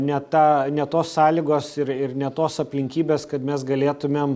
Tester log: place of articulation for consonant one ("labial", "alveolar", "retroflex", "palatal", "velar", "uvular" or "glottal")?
alveolar